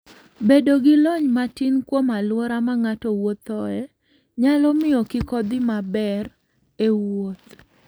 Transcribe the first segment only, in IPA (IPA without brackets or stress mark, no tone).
b